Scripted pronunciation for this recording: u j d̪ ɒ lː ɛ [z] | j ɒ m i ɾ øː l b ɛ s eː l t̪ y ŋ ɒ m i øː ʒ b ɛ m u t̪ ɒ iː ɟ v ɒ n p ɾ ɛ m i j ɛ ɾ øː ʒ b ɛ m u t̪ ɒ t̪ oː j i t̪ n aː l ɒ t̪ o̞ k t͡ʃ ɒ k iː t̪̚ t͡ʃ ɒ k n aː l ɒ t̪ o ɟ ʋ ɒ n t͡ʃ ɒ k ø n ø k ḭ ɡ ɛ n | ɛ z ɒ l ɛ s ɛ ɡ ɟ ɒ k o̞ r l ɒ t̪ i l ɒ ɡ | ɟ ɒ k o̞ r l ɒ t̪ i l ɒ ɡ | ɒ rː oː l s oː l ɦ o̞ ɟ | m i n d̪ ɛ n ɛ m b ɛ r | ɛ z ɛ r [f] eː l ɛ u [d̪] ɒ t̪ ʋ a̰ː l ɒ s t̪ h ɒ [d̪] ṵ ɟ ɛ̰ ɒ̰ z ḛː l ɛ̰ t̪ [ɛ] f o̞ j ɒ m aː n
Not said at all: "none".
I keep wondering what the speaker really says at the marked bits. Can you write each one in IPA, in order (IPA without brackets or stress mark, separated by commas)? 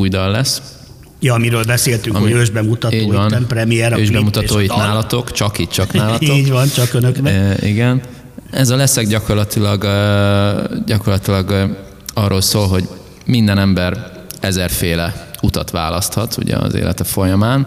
s, f, t̪, t̪, ɛ